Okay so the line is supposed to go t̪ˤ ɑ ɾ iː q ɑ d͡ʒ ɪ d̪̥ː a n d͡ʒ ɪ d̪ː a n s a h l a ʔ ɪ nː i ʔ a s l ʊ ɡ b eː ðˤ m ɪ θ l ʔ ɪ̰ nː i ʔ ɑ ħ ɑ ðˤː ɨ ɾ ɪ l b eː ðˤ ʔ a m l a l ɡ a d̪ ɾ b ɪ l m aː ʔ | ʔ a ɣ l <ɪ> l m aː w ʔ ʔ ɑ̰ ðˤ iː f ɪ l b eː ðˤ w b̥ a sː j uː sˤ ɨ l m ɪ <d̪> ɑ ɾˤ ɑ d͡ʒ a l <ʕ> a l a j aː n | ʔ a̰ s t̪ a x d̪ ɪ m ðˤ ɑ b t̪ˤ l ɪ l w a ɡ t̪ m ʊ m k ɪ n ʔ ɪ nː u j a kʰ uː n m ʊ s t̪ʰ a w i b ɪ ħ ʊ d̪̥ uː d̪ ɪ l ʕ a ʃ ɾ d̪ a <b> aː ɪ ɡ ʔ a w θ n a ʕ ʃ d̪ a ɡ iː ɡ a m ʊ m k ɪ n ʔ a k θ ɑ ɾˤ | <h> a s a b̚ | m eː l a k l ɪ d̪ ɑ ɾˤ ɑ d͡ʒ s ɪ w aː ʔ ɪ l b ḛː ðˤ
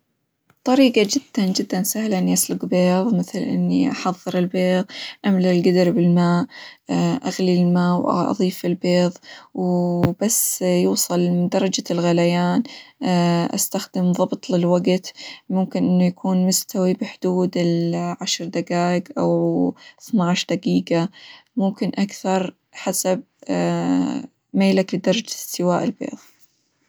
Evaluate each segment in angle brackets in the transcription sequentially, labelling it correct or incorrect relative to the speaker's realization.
incorrect: i, correct, incorrect: ɣ, incorrect: ɡ, incorrect: ħ

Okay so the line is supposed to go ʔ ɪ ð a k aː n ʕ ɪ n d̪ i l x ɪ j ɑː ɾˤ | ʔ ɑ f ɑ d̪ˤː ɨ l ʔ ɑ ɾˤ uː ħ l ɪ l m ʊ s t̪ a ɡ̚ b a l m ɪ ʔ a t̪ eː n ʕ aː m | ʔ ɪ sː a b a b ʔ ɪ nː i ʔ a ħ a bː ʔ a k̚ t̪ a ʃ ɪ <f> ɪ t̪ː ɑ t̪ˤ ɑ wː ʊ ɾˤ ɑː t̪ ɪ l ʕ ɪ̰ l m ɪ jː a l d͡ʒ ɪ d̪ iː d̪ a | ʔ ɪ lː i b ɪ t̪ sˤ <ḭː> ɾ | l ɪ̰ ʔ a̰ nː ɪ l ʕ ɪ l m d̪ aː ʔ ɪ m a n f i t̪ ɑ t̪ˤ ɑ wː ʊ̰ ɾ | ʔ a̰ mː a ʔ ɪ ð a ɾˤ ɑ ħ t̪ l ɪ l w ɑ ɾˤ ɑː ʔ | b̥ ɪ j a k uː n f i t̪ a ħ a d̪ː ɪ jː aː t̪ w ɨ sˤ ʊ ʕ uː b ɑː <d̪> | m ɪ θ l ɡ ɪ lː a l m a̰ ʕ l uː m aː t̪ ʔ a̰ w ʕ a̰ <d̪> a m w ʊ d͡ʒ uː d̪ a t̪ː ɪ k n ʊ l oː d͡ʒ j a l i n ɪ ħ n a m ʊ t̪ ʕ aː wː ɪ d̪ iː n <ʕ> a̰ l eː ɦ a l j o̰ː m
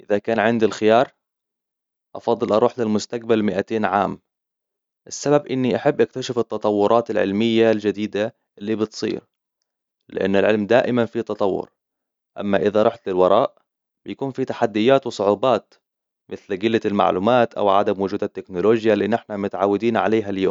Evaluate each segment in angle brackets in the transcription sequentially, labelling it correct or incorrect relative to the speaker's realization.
correct, correct, incorrect: t̪, correct, correct

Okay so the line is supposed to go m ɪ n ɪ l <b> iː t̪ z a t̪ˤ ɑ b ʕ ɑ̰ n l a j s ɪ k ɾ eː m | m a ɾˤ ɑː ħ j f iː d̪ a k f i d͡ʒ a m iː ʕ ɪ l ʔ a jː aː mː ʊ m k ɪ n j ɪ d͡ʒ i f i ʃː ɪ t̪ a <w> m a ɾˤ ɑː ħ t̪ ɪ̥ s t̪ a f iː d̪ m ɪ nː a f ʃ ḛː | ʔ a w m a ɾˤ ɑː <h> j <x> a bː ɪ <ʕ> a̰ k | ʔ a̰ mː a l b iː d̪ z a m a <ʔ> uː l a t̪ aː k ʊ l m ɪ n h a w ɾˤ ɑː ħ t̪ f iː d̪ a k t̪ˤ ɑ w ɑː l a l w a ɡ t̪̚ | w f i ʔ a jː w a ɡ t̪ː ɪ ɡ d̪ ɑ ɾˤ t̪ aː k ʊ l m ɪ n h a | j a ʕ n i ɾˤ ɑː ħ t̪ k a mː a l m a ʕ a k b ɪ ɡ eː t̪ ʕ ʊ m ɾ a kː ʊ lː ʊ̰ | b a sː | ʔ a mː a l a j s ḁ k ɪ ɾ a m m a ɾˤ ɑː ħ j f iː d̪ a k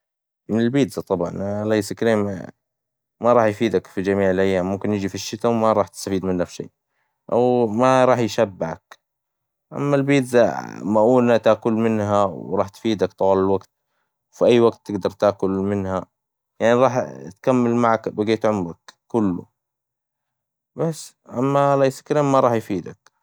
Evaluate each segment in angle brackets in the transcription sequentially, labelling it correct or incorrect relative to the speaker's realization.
correct, correct, incorrect: ħ, incorrect: ʃ, correct, correct

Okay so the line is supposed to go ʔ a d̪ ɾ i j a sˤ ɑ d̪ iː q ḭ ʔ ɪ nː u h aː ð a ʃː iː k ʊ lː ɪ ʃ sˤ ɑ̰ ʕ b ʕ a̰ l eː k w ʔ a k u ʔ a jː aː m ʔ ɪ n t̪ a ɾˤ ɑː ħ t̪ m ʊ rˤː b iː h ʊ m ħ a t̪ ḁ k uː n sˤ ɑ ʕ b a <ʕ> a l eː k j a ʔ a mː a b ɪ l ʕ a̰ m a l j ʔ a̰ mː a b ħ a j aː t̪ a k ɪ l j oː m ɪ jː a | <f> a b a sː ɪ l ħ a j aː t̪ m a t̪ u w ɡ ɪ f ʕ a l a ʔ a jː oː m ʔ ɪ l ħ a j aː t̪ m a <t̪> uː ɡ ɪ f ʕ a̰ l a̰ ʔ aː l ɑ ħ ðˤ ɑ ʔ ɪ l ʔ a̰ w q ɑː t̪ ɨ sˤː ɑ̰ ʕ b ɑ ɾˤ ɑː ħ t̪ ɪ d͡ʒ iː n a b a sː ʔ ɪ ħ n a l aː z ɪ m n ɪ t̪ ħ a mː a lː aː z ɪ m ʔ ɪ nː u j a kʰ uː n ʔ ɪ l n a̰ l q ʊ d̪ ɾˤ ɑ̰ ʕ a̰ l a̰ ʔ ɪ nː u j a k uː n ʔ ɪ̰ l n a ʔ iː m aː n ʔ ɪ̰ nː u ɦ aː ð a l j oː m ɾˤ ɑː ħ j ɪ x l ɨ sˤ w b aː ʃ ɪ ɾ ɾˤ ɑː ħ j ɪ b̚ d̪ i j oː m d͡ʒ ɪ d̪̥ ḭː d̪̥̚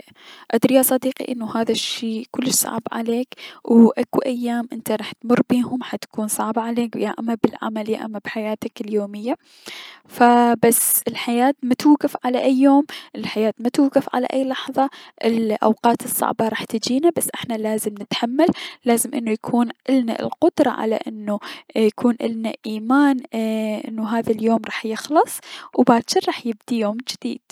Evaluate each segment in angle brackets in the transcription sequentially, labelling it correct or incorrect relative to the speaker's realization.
correct, correct, correct

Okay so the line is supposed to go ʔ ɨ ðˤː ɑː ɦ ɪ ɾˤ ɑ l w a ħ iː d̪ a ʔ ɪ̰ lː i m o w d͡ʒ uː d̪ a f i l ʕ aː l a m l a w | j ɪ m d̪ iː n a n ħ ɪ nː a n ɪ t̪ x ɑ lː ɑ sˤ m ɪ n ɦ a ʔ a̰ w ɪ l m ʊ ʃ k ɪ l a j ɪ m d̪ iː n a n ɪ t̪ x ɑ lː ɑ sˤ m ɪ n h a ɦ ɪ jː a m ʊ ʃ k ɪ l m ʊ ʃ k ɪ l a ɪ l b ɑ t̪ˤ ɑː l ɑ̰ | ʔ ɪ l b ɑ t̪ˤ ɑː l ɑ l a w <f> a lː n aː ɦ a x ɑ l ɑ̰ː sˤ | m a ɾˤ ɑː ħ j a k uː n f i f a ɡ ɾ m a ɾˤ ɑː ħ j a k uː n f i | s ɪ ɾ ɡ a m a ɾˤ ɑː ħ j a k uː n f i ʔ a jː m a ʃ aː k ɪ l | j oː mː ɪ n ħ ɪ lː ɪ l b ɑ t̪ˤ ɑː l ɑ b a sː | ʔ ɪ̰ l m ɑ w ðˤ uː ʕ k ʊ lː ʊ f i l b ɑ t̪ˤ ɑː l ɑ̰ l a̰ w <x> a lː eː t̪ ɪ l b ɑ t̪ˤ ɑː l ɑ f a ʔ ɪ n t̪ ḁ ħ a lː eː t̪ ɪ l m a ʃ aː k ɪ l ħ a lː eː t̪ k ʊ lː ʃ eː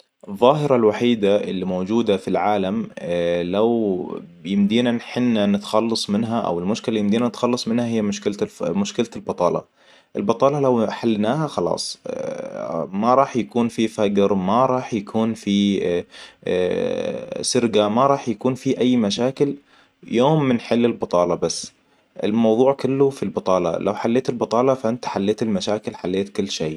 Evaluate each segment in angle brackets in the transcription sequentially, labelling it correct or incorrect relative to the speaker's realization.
incorrect: ħ, incorrect: ħ

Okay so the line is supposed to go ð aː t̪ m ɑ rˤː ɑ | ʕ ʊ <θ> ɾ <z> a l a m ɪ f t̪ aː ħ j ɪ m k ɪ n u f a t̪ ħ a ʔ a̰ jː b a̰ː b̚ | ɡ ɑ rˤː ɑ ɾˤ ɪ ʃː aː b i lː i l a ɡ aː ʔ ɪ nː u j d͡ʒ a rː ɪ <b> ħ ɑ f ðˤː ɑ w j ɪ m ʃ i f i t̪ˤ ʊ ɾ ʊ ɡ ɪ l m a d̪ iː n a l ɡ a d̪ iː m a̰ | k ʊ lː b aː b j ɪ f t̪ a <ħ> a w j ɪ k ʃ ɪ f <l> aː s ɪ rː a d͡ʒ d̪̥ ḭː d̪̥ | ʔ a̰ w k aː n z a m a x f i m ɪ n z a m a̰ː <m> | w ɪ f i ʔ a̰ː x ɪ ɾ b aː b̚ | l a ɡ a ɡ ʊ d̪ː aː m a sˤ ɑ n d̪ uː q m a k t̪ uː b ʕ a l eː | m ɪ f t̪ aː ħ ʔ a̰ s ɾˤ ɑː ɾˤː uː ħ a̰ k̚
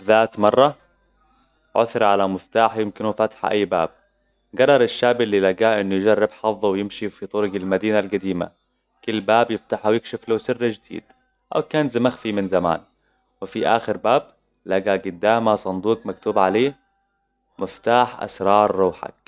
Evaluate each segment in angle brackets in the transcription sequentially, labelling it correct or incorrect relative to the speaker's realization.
correct, incorrect: ʕ, correct, correct, correct, incorrect: n

